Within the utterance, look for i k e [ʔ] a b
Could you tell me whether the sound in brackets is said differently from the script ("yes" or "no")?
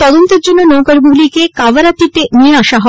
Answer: yes